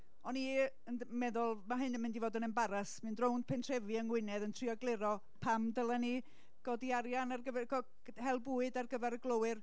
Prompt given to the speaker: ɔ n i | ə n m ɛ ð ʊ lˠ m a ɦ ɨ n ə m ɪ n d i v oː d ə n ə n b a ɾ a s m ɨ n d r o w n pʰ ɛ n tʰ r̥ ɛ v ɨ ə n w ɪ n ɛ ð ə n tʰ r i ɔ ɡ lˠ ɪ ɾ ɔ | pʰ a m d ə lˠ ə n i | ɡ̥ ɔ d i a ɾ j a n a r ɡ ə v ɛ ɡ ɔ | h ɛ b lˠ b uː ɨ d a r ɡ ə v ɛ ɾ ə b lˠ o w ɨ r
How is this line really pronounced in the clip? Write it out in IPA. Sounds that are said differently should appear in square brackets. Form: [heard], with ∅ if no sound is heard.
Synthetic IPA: ɔ n i | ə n m ɛ ð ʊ lˠ m a ɦ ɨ n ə m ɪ n d i v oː d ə n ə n b a ɾ a s m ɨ n d r o w n pʰ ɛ n tʰ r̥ ɛ v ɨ ə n w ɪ n ɛ ð ə n tʰ r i ɔ ɡ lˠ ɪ ɾ ɔ | pʰ a m d ə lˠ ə n i | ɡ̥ ɔ d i a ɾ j a n a r ɡ ə v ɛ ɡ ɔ | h ɛ [∅] lˠ b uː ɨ d a r ɡ ə v ɛ ɾ ə [ɡ] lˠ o w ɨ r